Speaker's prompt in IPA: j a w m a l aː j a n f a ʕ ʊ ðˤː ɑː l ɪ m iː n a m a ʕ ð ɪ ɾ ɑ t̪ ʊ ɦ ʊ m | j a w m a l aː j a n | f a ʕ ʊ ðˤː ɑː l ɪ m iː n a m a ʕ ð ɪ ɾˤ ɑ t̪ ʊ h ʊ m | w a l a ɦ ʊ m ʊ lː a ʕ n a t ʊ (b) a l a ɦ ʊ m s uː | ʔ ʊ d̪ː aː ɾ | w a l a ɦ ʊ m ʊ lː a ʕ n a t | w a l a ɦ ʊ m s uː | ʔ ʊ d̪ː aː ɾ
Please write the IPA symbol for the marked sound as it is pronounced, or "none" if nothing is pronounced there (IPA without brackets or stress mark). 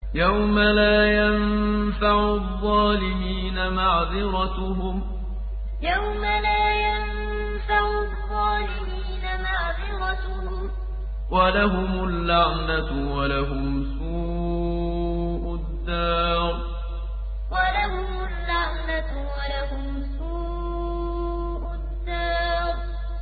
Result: w